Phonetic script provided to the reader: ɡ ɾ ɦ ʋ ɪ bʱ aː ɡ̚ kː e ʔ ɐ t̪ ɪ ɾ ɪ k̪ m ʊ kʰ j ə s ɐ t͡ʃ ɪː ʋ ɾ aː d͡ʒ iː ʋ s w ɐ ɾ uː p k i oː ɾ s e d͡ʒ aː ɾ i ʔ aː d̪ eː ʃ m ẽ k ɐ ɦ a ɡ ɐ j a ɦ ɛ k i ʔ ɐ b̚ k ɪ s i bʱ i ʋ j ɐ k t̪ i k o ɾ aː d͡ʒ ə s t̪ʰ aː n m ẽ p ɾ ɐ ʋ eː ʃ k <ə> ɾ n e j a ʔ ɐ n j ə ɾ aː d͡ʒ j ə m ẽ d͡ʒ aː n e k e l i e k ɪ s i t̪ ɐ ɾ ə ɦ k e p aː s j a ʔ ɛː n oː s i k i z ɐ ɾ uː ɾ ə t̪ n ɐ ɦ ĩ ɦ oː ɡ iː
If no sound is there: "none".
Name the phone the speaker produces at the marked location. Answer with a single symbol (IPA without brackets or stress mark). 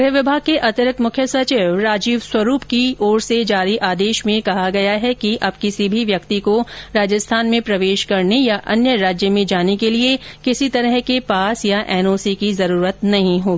ɐ